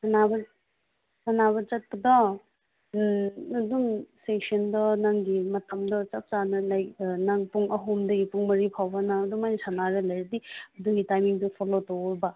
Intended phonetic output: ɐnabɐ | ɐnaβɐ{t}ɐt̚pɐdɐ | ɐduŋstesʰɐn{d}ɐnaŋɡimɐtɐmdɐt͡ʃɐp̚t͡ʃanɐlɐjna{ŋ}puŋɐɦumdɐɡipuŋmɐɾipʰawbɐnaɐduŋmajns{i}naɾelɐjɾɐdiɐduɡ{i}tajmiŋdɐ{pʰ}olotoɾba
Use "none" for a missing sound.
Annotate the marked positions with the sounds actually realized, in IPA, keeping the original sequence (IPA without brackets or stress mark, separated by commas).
t͡ʃ, d, ŋ, a, i, pʰ